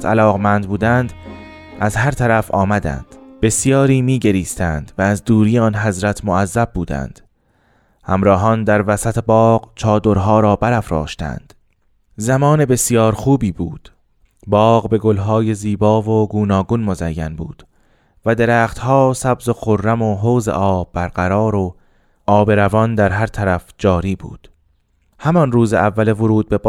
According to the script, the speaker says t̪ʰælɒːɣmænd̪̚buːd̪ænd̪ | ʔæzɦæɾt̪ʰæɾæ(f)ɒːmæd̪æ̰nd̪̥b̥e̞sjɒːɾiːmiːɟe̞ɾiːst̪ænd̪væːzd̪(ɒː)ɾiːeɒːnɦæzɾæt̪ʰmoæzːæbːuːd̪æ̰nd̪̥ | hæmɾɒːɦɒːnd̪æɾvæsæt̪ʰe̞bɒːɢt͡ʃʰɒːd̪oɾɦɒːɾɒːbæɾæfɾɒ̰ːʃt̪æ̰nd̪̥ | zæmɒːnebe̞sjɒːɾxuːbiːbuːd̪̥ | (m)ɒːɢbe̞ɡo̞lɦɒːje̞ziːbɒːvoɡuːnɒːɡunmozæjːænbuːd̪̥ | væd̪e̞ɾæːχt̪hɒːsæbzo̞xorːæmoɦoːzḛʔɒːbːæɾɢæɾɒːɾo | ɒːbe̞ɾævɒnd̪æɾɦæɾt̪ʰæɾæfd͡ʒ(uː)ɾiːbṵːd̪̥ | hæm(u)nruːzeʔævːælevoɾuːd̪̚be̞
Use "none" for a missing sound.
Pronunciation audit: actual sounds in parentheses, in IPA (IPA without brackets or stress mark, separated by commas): f, uː, b, ɒː, ɒ